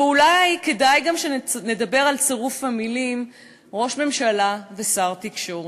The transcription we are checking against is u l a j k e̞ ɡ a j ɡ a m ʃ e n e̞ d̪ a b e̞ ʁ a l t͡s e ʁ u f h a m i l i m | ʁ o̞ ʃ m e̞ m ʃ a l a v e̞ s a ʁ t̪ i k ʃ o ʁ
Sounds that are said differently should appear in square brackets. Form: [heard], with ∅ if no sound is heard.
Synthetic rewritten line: u l a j k e̞ [d] a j ɡ a m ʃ e n e̞ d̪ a b e̞ ʁ a l t͡s e ʁ u f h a m i l i m | ʁ o̞ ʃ m e̞ m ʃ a l a v e̞ s a ʁ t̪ i k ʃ o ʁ